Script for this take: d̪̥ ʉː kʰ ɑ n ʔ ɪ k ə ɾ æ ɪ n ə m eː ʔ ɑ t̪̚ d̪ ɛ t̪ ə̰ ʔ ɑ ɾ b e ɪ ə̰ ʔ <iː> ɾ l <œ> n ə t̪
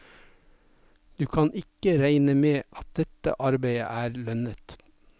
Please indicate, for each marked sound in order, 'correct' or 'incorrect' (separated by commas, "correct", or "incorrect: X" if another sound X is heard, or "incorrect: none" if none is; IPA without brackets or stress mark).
incorrect: æː, correct